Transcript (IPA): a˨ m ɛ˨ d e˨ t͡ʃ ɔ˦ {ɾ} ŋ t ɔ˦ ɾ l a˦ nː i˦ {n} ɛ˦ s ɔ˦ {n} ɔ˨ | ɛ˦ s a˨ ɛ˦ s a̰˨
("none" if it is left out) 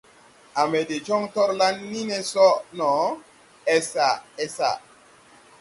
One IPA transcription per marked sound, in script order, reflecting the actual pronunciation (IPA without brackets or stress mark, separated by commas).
none, n, n